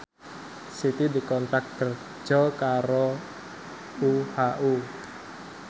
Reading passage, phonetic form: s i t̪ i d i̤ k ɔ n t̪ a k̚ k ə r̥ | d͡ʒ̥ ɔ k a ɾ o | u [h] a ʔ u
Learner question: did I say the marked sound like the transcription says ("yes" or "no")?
yes